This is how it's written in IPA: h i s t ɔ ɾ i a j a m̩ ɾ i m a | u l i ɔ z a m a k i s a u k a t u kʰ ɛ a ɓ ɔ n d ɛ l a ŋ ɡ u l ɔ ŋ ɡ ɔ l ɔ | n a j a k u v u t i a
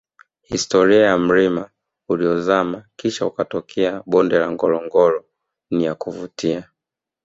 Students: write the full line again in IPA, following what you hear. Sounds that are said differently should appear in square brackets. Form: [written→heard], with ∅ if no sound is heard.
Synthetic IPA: h i s t ɔ ɾ i a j a m̩ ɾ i m a | u l i ɔ z a m a k i [s→ʃ] a u k a t [u→ɔ] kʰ ɛ a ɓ ɔ n d ɛ l a ŋ ɡ [u→ɔ] l ɔ ŋ ɡ ɔ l ɔ | n [a→i] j a k u v u t i a